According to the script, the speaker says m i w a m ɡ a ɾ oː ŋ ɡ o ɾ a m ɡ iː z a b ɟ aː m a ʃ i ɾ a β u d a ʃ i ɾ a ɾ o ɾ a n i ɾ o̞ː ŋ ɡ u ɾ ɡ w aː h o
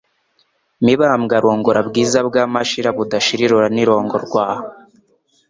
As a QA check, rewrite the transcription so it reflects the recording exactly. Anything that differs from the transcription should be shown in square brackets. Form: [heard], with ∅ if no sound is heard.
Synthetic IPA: m i [β] a m ɡ a ɾ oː ŋ ɡ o ɾ a [b] ɡ iː z a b [ɡ] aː m a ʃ i ɾ a β u d a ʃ i ɾ [i] ɾ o ɾ a n i ɾ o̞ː ŋ ɡ [o] ɾ ɡ w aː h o